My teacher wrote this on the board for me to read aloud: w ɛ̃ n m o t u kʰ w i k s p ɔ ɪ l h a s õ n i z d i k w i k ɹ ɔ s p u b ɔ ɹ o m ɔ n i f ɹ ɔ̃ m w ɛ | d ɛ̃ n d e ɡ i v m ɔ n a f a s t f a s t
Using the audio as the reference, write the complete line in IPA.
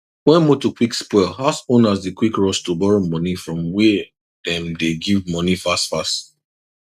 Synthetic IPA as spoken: w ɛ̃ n m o t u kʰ w i k s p ɔ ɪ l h a s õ n a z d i k w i k ɹ ɔ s t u b ɔ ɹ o m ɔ n i f ɹ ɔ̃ m w ɛ | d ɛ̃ m d e ɡ i v m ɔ n i f a s t f a s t